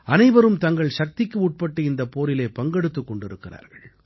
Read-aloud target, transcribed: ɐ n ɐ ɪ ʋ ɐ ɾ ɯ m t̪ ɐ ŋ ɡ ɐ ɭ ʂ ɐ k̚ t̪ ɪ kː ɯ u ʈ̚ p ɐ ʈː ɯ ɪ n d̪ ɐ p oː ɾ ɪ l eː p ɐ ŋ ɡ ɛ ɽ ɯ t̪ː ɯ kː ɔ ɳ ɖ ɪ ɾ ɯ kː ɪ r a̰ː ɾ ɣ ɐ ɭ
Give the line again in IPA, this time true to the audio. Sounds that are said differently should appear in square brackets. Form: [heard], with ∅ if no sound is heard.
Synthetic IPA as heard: ɐ n ɐ ɪ ʋ ɐ ɾ ɯ m t̪ ɐ ŋ ɡ ɐ ɭ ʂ ɐ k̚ t̪ ɪ kː ɯ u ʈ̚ p ɐ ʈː ɯ ɪ n d̪ ɐ p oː ɾ ɪ l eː p ɐ ŋ ɡ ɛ ɽ ɯ t̪ː ɯ kː ɔ ɳ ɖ ɪ ɾ ɯ kː ɪ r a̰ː ɾ ɣ ɐ ɭ

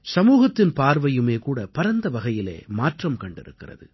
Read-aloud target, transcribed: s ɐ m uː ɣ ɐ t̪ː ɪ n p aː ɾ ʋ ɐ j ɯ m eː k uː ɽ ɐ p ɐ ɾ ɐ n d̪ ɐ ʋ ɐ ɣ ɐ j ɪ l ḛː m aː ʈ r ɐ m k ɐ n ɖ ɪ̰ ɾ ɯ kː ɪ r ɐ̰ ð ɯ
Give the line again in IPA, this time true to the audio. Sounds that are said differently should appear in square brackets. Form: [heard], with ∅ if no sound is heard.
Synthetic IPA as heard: s ɐ m uː ɣ ɐ t̪ː ɪ n p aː ɾ ʋ ɐ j ɯ m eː k uː ɽ ɐ p ɐ ɾ ɐ n d̪ ɐ ʋ ɐ ɣ ɐ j ɪ l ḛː m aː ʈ r ɐ m k ɐ [ɳ] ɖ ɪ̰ ɾ ɯ kː ɪ r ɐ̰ ð ɯ

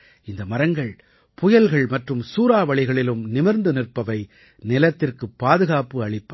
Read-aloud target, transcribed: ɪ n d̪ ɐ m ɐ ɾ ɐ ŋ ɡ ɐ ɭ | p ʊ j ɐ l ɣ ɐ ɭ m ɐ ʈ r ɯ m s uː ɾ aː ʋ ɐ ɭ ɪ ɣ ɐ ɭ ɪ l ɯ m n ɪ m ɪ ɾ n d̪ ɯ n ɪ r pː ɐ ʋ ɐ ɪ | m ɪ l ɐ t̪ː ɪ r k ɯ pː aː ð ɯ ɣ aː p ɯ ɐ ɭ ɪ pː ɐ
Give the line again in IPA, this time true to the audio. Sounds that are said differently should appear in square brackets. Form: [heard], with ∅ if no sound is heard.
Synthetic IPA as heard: ɪ n d̪ ɐ m ɐ ɾ ɐ ŋ ɡ ɐ ɭ | p ʊ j ɐ l ɣ ɐ ɭ m ɐ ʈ r ɯ m s uː ɾ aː ʋ ɐ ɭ ɪ ɣ ɐ ɭ ɪ l ɯ m n ɪ m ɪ ɾ n d̪ ɯ n ɪ r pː ɐ ʋ ɐ ɪ | [n] ɪ l ɐ t̪ː ɪ r k ɯ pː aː ð ɯ ɣ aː p ɯ ɐ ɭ ɪ pː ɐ

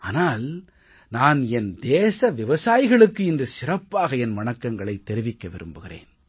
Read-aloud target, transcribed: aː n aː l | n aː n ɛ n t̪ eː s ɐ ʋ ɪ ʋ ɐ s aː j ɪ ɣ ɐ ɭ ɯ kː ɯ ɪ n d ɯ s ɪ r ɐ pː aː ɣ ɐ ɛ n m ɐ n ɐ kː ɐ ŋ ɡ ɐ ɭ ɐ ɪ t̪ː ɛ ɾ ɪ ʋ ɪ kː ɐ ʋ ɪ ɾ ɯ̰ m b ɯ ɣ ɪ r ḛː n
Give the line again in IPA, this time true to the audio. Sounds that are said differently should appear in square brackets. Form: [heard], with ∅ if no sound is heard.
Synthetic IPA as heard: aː n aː l | n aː n ɛ n [d̪] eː s ɐ ʋ ɪ ʋ ɐ s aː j ɪ ɣ ɐ ɭ ɯ kː ɯ ɪ n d ɯ s ɪ r ɐ pː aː ɣ ɐ ɛ n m ɐ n ɐ kː ɐ ŋ ɡ ɐ ɭ ɐ ɪ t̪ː ɛ ɾ ɪ ʋ ɪ kː ɐ ʋ ɪ ɾ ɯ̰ m b ɯ ɣ ɪ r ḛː n

